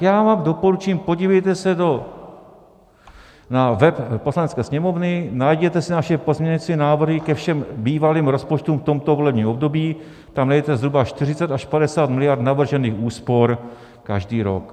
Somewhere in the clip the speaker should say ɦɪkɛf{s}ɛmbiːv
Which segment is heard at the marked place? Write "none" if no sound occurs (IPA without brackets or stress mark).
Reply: ʃ